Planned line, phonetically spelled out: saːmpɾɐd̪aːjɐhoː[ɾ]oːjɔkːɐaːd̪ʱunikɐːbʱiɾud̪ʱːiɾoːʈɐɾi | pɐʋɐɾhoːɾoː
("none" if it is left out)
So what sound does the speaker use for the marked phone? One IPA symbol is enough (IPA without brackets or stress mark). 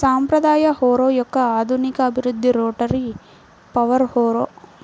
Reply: ɾ